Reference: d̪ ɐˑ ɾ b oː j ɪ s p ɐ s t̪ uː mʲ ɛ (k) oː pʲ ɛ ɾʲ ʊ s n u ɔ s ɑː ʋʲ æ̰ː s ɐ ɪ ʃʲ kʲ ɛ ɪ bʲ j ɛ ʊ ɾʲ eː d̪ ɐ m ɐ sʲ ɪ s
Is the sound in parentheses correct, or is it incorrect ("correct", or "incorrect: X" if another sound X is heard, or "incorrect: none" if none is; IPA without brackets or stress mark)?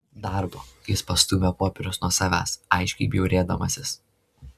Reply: incorrect: p